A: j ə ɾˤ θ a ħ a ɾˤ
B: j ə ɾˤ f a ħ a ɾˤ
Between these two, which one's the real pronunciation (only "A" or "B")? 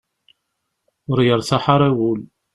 A